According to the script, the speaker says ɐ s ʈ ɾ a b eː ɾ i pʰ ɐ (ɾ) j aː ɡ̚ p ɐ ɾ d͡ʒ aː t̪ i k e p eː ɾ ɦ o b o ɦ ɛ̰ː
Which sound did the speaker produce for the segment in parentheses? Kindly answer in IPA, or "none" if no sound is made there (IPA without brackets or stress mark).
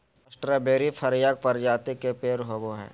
ɾ